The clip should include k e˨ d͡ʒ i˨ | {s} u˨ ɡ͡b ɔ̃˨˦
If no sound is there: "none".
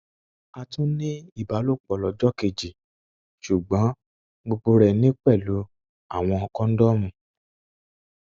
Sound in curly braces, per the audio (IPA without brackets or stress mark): ʃ